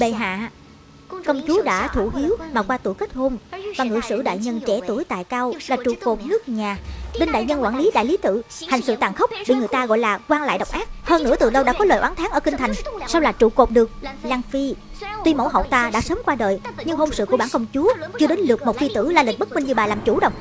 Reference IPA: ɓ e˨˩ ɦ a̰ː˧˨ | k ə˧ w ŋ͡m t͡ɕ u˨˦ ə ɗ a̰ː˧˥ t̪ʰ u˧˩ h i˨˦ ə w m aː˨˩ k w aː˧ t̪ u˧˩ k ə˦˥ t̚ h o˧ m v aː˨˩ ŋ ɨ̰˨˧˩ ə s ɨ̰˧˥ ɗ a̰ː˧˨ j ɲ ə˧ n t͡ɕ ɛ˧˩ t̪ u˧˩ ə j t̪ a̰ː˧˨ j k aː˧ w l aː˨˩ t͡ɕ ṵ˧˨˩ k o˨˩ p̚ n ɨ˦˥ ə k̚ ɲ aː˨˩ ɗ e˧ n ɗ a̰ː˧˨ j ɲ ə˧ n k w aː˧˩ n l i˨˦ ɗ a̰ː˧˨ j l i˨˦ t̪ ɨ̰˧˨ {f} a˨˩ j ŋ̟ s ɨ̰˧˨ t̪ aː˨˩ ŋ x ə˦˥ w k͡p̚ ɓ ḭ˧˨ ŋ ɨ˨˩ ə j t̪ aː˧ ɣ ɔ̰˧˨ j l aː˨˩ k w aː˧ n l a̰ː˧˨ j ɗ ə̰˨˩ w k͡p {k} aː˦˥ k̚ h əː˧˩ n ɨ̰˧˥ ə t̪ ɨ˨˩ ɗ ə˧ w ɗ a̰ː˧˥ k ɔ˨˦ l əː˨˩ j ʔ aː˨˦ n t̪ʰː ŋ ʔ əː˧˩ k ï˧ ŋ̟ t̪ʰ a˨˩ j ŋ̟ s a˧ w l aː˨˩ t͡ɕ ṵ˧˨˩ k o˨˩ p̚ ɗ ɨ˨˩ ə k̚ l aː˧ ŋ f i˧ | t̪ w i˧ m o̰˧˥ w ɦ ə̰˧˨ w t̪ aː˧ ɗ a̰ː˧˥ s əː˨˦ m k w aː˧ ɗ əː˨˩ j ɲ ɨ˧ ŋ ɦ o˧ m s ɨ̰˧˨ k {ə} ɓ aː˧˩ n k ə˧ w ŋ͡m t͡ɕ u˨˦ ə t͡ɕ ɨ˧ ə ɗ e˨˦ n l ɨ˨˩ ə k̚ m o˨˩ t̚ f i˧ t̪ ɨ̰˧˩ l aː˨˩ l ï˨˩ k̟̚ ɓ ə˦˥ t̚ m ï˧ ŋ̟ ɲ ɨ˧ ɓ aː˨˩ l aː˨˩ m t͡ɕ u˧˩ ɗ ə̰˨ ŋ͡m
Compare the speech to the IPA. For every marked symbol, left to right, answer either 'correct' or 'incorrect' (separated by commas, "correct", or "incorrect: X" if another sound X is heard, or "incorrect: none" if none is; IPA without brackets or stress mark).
incorrect: h, incorrect: ʔ, correct